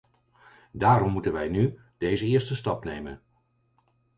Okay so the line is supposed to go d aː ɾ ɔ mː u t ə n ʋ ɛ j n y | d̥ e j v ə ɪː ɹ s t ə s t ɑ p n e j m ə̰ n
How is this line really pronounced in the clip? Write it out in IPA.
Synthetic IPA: d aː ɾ ɔ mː u t ə n ʋ ɛ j n y | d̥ e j z ə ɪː ɹ s t ə s t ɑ p n e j m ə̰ n